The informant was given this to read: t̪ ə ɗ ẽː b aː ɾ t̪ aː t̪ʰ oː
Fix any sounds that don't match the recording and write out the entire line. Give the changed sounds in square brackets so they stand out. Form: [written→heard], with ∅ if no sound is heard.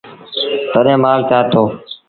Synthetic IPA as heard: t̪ ə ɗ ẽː [b→m] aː [ɾ→l] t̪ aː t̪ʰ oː

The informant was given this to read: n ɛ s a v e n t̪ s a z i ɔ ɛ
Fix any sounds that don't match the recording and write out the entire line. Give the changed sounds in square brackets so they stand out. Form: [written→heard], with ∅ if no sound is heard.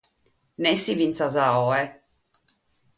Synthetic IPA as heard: n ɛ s [a→i] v [e→i] n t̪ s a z [i→a] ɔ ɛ

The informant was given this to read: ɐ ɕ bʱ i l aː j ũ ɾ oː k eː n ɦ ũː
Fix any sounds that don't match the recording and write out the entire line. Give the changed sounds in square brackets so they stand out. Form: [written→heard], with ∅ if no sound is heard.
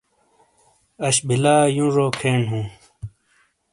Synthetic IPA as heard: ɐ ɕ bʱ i l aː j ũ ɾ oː [k→kʰ] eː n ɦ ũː

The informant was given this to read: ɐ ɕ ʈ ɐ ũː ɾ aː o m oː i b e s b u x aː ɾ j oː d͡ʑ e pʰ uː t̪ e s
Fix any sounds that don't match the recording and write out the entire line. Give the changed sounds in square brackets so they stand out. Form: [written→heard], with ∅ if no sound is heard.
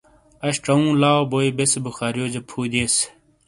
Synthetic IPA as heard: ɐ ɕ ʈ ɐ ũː [ɾ→l] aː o [m→b] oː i b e s b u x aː ɾ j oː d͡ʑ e pʰ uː [t̪→d̪] e s

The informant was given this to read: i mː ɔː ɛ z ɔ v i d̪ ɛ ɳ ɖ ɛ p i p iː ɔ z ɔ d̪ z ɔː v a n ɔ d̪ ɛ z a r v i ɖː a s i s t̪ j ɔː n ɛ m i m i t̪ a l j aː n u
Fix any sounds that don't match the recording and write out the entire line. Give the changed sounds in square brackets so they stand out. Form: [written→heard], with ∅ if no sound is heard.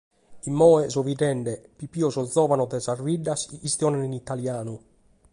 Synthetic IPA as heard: i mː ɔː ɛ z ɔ v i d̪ ɛ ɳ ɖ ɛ p i p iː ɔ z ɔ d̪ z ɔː v a n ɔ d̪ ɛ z a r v i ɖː a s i s t̪ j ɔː n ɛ [m→n] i [m→n] i t̪ a l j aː n u

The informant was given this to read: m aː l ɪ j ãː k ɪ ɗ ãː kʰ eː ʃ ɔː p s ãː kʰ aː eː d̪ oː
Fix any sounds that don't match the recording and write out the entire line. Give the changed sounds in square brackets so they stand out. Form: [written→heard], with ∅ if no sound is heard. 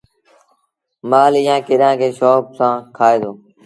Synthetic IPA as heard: m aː l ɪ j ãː k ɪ ɗ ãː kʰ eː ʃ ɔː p s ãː kʰ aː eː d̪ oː

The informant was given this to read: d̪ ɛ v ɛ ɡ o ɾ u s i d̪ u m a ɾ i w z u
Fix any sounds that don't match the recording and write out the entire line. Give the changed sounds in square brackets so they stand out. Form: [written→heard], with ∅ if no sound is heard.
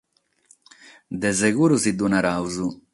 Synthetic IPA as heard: d̪ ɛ [v→z] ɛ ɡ [o→u] ɾ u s i d̪ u [m→n] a ɾ [i→a] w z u

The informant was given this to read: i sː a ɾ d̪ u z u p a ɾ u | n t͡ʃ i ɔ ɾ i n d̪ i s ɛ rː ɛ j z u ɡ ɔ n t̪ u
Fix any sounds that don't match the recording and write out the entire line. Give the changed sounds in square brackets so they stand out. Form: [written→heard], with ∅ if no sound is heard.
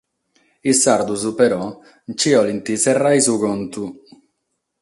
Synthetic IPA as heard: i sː a ɾ d̪ u z u p [a→ɛ] ɾ [u→ɔ] | n t͡ʃ i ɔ [ɾ→l] i n [d̪→t̪] i s ɛ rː [ɛ→a] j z u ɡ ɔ n t̪ u

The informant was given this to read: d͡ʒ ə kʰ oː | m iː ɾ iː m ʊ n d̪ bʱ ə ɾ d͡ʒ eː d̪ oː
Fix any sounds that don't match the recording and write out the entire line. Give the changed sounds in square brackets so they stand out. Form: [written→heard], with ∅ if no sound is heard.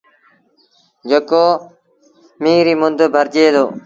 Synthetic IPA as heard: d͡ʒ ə [kʰ→k] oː | m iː ɾ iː m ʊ n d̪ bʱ ə ɾ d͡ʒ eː d̪ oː

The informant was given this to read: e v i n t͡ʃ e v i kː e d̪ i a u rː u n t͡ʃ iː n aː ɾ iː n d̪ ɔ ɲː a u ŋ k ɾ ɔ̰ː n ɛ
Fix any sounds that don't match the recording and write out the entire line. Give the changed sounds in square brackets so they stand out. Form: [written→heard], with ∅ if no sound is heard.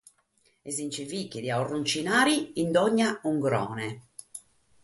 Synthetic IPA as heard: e [v→z] i n t͡ʃ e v i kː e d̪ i a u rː u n t͡ʃ [iː→i] n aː ɾ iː n d̪ ɔ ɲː a u ŋ [k→ɡ] ɾ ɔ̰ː n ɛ

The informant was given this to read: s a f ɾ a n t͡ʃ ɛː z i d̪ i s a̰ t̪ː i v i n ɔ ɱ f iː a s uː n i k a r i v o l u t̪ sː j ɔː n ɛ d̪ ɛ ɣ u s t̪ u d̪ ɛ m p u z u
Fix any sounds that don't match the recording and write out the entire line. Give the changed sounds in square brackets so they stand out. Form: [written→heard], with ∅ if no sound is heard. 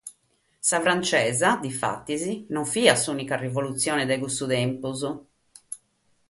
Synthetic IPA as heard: s a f ɾ a n t͡ʃ ɛː z [i→a] d̪ i [s→f] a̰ t̪ː i [v→z] i n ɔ ɱ f iː a s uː n i k a r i v o l u t̪ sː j ɔː n ɛ d̪ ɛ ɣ u s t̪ u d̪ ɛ m p u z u

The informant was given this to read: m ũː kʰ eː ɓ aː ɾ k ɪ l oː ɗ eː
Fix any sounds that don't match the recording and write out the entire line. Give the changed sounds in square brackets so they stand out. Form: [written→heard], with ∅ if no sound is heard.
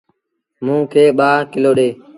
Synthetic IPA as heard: m ũː kʰ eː ɓ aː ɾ k ɪ l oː ɗ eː

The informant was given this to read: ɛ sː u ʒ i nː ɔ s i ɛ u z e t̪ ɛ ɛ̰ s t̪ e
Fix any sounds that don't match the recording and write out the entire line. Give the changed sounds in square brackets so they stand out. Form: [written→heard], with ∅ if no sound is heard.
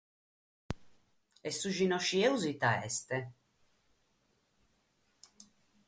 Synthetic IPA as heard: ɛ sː u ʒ i [nː→n] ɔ [s→ʃ] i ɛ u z [e→i] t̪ [ɛ→a] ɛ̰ s t̪ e

